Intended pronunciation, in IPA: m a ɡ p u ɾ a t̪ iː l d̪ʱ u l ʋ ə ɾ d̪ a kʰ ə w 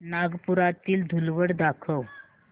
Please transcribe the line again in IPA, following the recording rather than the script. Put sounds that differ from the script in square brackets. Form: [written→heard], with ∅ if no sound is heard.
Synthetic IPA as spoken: [m→n] a ɡ p u ɾ a t̪ iː l d̪ʱ u l ʋ ə [ɾ→ɽ] d̪ a kʰ ə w